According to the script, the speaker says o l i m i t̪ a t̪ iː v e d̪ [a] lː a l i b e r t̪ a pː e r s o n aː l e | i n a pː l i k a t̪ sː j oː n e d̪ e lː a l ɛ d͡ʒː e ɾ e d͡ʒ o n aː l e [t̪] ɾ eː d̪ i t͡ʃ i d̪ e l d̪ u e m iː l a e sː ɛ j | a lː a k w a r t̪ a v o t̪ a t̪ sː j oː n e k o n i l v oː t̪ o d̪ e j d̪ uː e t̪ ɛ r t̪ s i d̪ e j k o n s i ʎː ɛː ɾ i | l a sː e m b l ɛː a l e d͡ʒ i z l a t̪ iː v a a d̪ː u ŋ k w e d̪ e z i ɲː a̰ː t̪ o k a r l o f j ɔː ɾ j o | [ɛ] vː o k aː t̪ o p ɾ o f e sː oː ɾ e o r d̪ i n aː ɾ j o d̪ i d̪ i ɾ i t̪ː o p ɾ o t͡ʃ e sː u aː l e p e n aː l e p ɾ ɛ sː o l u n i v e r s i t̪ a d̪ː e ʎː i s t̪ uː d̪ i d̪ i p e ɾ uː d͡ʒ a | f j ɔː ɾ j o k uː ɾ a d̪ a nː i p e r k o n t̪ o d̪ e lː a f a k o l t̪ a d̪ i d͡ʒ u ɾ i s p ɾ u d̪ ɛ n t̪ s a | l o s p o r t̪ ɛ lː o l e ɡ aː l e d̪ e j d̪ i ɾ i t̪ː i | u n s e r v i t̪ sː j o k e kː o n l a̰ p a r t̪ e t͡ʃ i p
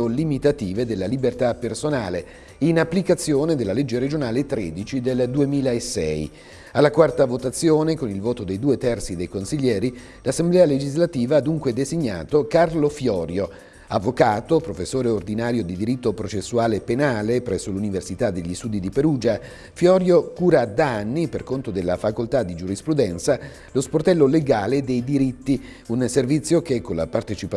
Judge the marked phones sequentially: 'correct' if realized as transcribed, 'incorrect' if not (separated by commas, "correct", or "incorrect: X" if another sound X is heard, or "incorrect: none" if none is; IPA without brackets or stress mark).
incorrect: e, correct, incorrect: a